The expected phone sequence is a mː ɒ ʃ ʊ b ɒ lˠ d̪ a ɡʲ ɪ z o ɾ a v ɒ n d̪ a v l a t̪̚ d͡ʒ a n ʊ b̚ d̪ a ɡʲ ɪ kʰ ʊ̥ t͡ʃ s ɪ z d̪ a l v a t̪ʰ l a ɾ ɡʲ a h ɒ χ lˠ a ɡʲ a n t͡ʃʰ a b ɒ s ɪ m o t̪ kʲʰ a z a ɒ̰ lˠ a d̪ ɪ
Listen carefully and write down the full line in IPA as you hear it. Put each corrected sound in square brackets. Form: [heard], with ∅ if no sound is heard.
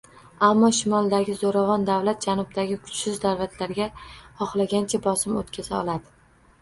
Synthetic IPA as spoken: a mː ɒ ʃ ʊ [m] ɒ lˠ d̪ a ɡʲ ɪ z o ɾ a v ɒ n d̪ a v l a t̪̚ d͡ʒ a n ʊ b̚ d̪ a ɡʲ ɪ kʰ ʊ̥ t͡ʃ s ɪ z d̪ a [ɾ] v a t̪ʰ l a ɾ ɡʲ a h ɒ χ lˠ a ɡʲ a n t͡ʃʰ a b ɒ s ɪ m o t̪ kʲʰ a z a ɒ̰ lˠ a d̪ ɪ